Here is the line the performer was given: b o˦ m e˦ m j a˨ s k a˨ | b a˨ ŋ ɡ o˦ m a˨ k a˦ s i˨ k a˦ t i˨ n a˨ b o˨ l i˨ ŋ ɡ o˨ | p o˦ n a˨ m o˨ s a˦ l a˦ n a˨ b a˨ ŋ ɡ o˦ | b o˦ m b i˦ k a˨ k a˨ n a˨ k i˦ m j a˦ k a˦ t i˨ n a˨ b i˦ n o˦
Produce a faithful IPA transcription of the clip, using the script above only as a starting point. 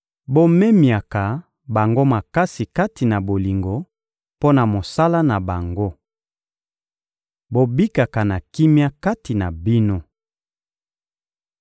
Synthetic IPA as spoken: b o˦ m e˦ m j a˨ k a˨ | b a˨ ŋ ɡ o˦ m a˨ k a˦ s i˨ k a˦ t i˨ n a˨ b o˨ l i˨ ŋ ɡ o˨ | p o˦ n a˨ m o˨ s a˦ l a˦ n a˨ b a˨ ŋ ɡ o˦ | b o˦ b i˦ k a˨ k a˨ n a˨ k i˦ m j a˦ k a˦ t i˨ n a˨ b i˦ n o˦